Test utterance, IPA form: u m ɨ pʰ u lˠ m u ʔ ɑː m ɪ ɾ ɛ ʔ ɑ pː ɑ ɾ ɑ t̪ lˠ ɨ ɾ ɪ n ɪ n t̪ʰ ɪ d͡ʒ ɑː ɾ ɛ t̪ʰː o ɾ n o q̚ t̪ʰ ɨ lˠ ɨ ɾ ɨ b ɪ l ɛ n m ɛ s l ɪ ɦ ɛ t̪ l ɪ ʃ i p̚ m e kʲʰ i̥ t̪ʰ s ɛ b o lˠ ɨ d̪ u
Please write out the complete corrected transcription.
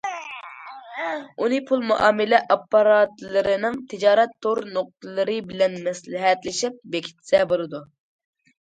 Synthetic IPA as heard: u n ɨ pʰ u lˠ m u ʔ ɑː m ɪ l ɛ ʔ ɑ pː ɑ ɾ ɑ t̪ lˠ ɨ ɾ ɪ n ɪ ŋ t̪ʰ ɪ d͡ʒ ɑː ɾ ɛ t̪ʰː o ɾ n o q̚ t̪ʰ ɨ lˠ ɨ ɾ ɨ b ɪ l ɛ n m ɛ s l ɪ ɦ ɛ t̪ l ɪ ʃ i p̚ b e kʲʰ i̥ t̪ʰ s ɛ b o lˠ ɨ d̪ u